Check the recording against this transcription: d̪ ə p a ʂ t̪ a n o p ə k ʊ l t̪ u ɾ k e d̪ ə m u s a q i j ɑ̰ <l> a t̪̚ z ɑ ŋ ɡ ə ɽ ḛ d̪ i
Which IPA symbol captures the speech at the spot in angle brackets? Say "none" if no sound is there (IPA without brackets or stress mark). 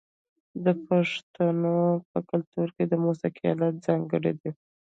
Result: l